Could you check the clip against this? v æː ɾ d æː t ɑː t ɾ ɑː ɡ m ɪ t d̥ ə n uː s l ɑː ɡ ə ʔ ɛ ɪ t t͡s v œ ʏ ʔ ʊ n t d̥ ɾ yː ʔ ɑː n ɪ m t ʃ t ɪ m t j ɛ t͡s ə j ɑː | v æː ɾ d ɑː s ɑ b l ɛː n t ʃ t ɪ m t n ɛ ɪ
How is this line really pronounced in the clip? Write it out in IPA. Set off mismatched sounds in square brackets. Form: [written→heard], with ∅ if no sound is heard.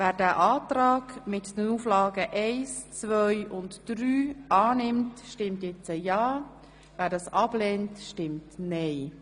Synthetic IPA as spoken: v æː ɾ d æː [t→ʔ] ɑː t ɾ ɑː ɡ m ɪ t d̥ ə n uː [s→f] l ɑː ɡ ə ʔ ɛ ɪ [t→s] t͡s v œ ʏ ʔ ʊ n t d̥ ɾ yː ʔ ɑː n ɪ m t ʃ t ɪ m t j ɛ t͡s ə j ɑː | v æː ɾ d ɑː s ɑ b l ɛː n t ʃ t ɪ m t n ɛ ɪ